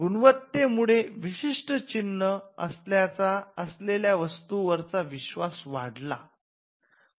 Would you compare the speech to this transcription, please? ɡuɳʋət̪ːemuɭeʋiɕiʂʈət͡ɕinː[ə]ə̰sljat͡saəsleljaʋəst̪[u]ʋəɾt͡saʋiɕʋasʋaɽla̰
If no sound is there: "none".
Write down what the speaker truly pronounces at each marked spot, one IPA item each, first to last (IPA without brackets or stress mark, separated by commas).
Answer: ə, u